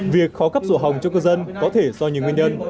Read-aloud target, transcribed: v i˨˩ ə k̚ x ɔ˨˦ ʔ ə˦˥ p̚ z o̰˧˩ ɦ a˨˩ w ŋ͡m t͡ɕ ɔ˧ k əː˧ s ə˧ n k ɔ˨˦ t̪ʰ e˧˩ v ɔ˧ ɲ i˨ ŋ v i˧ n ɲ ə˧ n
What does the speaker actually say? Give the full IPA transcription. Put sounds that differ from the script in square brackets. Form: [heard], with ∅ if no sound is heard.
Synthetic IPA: v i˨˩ ə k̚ x ɔ˨˦ [k] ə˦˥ p̚ z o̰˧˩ ɦ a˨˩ w ŋ͡m t͡ɕ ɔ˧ k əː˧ [z] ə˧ n k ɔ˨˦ t̪ʰ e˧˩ [z] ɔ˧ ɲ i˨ ŋ [w] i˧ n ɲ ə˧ n